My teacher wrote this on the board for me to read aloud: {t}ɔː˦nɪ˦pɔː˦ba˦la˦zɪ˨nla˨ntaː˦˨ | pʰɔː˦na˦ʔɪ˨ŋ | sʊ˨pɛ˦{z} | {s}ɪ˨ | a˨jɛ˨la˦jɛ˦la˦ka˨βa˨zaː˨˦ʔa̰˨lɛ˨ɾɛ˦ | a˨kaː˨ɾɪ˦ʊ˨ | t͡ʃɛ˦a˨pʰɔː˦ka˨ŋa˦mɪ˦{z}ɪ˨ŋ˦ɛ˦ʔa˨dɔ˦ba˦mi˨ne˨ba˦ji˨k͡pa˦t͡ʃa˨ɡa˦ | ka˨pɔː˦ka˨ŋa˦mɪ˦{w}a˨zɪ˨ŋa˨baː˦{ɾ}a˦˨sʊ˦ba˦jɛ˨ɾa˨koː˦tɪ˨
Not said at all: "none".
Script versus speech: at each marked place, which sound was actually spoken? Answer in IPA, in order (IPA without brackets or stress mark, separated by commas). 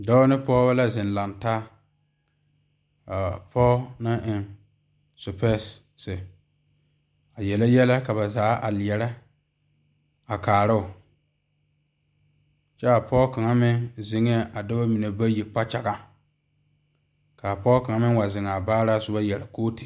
d, s, s, z, w, ɾ